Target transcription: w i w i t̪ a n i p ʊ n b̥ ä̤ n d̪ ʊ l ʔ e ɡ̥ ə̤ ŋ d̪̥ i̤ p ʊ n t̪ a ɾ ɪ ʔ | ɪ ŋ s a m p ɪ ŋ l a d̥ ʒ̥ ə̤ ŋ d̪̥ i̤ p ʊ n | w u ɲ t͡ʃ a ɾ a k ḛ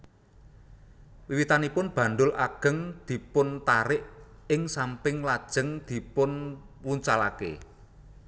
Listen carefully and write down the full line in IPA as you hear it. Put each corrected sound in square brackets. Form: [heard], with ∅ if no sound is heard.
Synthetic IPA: w i w i t̪ a n i p ʊ n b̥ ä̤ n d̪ ʊ l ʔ [a] ɡ̥ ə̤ ŋ d̪̥ i̤ p ʊ n t̪ a ɾ ɪ ʔ | ɪ ŋ s a m p ɪ ŋ l a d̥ ʒ̥ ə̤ ŋ d̪̥ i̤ p ʊ n | w u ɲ t͡ʃ a [l] a k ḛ

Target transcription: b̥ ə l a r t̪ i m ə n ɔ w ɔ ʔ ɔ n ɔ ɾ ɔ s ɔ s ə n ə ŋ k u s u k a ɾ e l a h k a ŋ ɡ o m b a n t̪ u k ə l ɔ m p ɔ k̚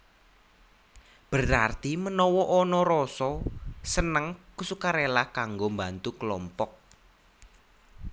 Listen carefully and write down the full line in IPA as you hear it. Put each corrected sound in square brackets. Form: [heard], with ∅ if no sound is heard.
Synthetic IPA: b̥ ə [ɾ] a r t̪ i m ə n ɔ w ɔ ʔ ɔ n ɔ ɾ ɔ s ɔ s ə n ə ŋ k u s u k a ɾ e l a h k a ŋ ɡ o m b a n t̪ u k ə l ɔ m p ɔ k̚

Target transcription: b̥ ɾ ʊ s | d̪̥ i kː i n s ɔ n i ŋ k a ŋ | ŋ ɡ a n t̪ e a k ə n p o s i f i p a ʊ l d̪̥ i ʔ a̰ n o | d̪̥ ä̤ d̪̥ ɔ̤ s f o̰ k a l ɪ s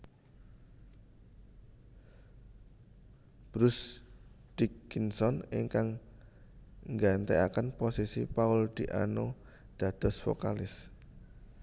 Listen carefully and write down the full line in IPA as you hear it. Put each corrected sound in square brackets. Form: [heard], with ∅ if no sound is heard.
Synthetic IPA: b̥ ɾ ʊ s | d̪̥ i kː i n s ɔ n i ŋ k a ŋ | ŋ ɡ a n t̪ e a k ə n p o s i [s] i p a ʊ l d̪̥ i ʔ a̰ n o | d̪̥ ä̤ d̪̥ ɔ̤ s f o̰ k a l ɪ s

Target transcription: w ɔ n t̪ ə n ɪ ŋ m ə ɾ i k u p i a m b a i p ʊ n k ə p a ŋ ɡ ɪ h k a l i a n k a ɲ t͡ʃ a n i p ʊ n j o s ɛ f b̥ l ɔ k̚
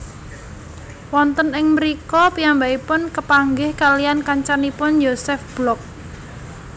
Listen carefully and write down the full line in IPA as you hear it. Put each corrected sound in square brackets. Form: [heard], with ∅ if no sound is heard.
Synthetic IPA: w ɔ n t̪ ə n ɪ ŋ m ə ɾ i k [ɔ] p i a m b a i p ʊ n k ə p a ŋ ɡ ɪ h k a l i a n k a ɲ t͡ʃ a n i p ʊ n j o s ɛ f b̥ l ɔ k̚

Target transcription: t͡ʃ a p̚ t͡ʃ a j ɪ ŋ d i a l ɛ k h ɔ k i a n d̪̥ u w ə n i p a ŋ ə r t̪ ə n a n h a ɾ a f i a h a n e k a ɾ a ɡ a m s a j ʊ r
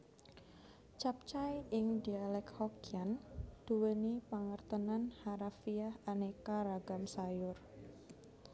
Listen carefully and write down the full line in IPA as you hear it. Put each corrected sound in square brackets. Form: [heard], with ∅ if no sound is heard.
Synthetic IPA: t͡ʃ a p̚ t͡ʃ a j ɪ ŋ d i a l ɛ k h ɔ k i a n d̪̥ u w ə n i p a ŋ ə r t̪ ə n a n h a ɾ a f i a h a n e k a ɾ a ɡ a m s a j ʊ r

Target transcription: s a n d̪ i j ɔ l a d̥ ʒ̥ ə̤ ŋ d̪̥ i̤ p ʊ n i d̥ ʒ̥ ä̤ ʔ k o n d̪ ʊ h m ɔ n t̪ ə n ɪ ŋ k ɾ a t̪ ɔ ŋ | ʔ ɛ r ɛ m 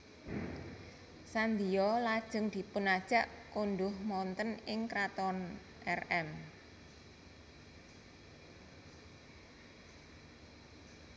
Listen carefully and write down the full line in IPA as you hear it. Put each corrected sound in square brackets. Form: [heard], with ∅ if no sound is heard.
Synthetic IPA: s a n d̪ i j ɔ l a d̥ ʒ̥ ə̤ ŋ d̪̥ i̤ p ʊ n [a] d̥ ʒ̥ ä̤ ʔ k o n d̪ ʊ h m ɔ n t̪ ə n ɪ ŋ k ɾ a t̪ ɔ [n] | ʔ ɛ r ɛ m

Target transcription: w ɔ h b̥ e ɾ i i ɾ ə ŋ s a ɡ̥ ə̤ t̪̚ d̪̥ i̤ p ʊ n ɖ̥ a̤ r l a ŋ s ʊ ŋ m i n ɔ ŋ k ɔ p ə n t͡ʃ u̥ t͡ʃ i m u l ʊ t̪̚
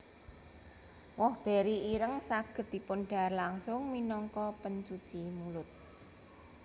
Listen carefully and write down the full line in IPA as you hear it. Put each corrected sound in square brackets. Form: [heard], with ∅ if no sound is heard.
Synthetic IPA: w ɔ h b̥ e ɾ i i ɾ ə ŋ s a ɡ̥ ə̤ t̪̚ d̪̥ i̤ p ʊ n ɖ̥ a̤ r l a ŋ s ʊ ŋ m i n ɔ ŋ k ɔ p ə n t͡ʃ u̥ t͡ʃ i m u l ʊ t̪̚

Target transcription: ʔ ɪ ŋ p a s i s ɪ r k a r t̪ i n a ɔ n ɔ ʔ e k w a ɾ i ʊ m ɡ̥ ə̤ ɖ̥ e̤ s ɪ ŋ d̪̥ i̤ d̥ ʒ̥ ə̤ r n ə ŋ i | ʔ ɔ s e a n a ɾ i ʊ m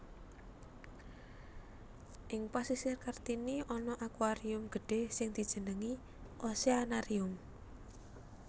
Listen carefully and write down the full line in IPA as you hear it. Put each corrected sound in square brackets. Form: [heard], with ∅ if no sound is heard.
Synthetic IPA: ʔ ɪ ŋ p a s i s ɪ r k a r t̪ i n [i] ɔ n ɔ ʔ [a] k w a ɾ i ʊ m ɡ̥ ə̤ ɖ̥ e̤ s ɪ ŋ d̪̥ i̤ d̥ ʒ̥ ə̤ [∅] n ə ŋ i | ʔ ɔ s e a n a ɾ i ʊ m

